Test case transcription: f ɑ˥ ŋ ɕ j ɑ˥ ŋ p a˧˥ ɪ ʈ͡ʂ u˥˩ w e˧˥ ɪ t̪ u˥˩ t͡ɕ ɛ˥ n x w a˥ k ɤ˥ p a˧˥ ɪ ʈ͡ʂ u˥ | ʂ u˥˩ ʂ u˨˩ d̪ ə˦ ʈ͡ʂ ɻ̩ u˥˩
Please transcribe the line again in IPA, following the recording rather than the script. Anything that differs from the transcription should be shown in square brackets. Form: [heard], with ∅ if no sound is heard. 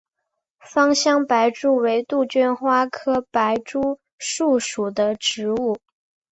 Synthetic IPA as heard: f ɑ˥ ŋ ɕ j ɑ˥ ŋ p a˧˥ ɪ ʈ͡ʂ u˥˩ w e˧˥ ɪ t̪ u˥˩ t͡ɕ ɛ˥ n x w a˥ [kʰ] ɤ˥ p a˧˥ ɪ ʈ͡ʂ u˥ | ʂ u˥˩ ʂ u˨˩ d̪ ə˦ ʈ͡ʂ ɻ̩ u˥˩